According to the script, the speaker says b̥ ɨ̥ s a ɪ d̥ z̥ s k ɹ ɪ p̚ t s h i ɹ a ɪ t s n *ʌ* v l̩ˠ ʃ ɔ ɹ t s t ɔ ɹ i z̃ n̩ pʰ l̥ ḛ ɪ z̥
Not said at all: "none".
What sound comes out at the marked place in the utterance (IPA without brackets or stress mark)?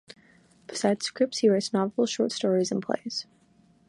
ɑ